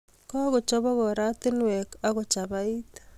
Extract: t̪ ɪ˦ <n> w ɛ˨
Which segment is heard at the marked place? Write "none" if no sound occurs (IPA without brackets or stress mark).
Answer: n